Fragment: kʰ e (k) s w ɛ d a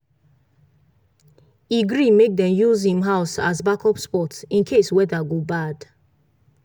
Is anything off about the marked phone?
yes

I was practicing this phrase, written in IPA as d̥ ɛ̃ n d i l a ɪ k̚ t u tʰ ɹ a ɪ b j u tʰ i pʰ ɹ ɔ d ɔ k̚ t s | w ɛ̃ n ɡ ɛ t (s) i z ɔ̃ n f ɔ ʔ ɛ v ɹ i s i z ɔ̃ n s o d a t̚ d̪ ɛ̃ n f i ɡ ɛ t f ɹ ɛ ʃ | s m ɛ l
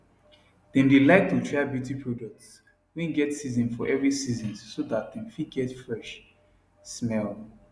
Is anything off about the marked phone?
no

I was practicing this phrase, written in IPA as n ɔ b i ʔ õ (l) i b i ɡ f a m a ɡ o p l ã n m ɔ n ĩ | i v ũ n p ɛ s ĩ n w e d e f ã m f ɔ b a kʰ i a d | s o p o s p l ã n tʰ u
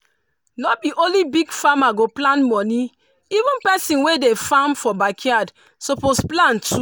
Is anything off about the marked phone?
no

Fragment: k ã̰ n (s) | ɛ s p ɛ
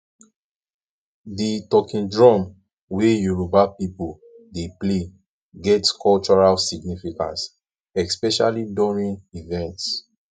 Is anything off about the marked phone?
no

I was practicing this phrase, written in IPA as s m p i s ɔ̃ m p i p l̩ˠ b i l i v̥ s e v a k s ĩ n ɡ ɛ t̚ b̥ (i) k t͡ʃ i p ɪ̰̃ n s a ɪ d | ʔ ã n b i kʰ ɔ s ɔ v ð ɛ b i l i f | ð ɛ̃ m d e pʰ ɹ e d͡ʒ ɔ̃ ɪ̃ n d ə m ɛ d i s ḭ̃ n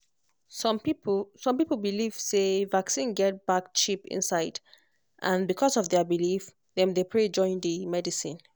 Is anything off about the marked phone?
yes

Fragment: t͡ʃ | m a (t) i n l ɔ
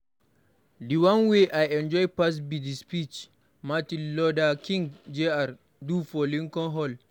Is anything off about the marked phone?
no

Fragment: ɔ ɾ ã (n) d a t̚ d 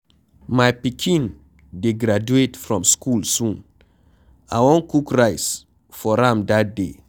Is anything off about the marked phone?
yes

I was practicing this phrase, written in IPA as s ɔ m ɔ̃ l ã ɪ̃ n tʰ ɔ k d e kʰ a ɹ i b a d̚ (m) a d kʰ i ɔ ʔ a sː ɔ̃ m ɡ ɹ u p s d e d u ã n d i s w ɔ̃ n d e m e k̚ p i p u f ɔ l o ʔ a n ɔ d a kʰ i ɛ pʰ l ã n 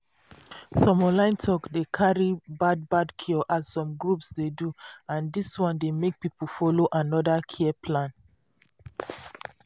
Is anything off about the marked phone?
yes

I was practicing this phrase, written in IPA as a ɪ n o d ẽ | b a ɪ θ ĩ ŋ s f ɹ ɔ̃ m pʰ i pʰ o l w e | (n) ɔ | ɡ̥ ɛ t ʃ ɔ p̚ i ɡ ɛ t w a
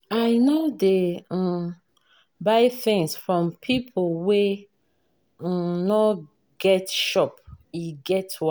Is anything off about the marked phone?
no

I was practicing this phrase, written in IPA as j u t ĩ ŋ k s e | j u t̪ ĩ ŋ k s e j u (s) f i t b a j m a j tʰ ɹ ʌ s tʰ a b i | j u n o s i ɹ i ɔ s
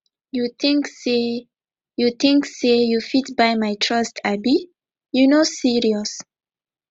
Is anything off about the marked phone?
yes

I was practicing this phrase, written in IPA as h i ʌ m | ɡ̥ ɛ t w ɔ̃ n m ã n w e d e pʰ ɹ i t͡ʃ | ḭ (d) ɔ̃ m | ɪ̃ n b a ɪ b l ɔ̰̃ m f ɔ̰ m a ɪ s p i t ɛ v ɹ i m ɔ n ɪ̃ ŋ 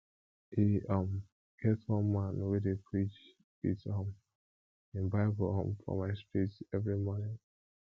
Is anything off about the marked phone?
yes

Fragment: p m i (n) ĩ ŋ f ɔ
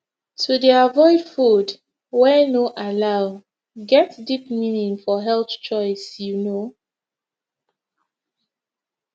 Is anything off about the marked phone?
no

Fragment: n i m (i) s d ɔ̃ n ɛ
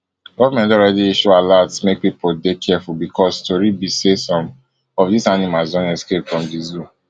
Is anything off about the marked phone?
yes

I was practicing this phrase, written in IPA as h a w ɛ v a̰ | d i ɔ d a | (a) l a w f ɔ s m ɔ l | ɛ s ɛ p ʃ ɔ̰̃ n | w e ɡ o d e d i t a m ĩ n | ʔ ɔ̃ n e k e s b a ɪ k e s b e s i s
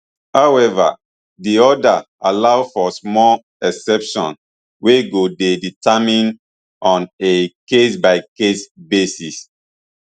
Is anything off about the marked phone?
no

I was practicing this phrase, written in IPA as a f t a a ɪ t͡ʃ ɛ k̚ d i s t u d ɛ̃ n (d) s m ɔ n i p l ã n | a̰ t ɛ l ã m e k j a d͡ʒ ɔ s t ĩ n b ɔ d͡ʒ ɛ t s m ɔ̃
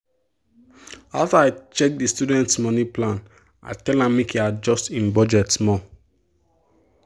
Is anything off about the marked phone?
yes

